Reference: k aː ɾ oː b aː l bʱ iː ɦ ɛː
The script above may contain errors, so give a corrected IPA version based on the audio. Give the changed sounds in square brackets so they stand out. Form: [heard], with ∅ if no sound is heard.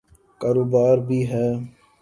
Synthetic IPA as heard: k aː ɾ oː b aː [ɾ] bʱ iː ɦ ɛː